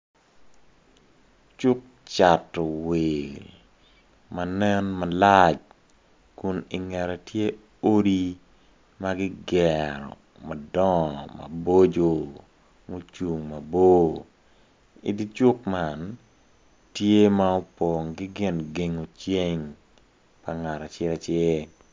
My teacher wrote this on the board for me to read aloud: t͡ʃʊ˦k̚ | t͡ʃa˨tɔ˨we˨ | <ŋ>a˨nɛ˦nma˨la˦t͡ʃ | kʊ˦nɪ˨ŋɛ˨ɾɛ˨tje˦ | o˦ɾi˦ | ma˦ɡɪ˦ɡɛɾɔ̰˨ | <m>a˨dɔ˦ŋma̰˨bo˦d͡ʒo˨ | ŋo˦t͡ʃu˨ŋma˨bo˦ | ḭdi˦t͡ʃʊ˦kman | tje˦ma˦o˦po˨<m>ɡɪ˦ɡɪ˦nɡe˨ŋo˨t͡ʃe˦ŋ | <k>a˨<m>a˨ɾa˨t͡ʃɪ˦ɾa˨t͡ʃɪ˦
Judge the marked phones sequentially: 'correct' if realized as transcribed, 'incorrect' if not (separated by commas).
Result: incorrect, correct, incorrect, incorrect, incorrect